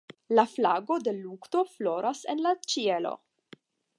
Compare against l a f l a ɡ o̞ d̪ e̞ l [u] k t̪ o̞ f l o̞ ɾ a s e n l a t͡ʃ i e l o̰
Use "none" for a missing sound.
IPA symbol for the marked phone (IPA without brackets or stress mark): u